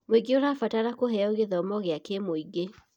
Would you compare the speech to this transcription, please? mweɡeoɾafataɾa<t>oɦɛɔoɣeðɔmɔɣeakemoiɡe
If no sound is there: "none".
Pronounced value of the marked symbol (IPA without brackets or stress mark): k